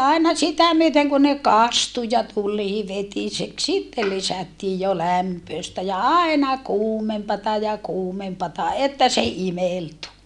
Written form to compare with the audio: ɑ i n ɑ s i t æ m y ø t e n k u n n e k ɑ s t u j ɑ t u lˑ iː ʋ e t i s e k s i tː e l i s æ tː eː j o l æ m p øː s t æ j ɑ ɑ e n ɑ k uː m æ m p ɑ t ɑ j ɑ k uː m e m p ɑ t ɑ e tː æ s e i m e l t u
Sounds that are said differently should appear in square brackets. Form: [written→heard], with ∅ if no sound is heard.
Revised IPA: ɑ i n ɑ s i t æ m y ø t e [n→ŋ] k u n n e k ɑ s t u j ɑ t u lˑ iː ʋ e t i s e k s i tː e l i s æ tː [eː→iː] j o l æ m p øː s t æ j ɑ ɑ e n ɑ k uː m [æ→e] m p ɑ t ɑ j ɑ k uː m e m p ɑ t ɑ e tː æ s e i m e l t u